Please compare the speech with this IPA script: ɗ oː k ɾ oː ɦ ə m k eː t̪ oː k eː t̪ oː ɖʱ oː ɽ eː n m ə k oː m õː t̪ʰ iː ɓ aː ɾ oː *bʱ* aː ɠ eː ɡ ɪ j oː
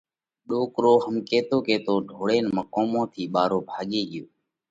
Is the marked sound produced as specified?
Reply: yes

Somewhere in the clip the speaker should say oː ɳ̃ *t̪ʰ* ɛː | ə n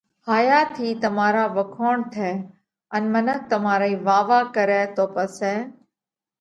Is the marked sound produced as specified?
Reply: yes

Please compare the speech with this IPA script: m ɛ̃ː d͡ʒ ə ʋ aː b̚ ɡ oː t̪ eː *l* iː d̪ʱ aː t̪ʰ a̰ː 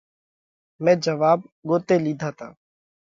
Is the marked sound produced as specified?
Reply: yes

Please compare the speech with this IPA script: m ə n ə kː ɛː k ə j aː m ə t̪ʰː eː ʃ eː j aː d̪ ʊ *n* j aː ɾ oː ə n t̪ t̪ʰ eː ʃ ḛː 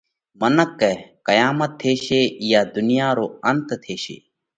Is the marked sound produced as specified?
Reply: yes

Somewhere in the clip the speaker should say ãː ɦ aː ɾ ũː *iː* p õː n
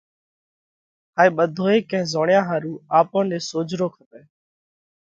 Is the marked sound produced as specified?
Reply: no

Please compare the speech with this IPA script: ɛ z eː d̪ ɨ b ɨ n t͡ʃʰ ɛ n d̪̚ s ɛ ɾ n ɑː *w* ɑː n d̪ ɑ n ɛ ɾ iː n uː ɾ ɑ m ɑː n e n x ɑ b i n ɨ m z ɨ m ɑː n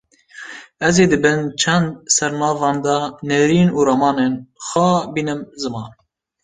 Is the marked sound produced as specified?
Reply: no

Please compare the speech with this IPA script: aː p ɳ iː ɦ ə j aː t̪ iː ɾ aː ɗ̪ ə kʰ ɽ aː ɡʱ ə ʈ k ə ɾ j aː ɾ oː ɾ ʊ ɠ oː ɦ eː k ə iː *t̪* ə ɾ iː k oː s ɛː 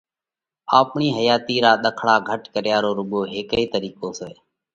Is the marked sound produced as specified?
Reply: yes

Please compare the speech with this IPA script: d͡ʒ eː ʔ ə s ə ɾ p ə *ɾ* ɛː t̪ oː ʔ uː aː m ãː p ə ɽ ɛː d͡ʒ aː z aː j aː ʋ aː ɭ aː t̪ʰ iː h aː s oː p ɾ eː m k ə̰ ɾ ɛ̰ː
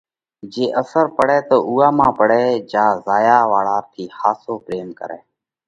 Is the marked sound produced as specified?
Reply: no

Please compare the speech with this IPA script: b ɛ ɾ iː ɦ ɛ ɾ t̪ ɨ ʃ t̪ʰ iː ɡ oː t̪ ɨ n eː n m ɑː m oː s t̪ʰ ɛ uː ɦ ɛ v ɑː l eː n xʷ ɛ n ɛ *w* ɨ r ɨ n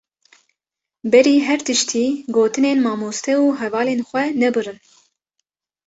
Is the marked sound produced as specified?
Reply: no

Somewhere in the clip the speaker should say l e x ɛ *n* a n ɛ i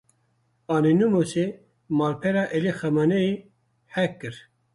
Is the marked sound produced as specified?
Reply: no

